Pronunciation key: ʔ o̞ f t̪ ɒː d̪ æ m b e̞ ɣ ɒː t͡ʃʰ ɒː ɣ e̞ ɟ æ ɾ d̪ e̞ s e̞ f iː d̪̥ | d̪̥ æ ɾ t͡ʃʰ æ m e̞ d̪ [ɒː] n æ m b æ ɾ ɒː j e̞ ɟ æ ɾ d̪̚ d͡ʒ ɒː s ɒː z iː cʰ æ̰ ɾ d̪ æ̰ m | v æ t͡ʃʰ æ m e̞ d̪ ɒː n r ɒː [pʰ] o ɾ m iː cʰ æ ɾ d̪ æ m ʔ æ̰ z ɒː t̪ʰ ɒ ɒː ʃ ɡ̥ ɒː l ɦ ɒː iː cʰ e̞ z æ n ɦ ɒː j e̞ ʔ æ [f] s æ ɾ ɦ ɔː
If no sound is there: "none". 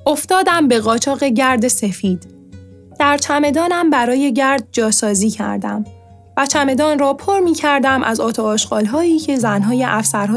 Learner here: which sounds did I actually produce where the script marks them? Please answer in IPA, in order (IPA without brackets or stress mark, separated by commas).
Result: ɒː, pʰ, f